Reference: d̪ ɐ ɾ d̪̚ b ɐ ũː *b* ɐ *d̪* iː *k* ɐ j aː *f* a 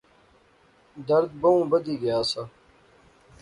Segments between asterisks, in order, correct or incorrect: correct, correct, incorrect: ɡ, incorrect: s

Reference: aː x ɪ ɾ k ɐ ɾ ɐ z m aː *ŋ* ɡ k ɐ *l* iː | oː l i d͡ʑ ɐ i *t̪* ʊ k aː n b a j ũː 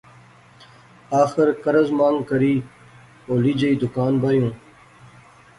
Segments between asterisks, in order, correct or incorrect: correct, incorrect: ɾ, incorrect: d̪

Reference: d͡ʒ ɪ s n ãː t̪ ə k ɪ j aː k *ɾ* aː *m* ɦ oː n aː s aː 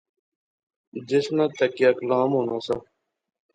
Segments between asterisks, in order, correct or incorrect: incorrect: l, correct

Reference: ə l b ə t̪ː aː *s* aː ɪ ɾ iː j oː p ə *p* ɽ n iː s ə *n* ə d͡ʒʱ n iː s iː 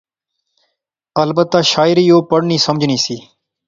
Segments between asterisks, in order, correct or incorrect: incorrect: ʃ, incorrect: none, incorrect: m

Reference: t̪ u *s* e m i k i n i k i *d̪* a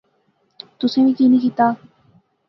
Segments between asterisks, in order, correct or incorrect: correct, incorrect: t̪

